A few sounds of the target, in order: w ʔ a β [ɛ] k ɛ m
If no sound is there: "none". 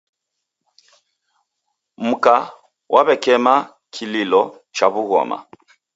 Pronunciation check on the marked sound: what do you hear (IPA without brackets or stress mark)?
ɛ